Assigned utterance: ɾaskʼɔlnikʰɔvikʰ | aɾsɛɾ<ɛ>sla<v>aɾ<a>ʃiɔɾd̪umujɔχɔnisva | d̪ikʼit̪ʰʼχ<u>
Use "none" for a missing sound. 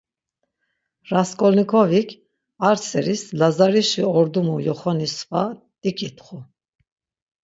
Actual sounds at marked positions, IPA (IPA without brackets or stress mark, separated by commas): i, z, i, u